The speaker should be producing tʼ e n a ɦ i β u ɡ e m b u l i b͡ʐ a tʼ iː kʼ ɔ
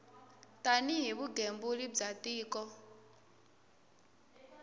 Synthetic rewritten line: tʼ a n i ɦ i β u ɡ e m b u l i b͡ʐ a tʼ iː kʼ ɔ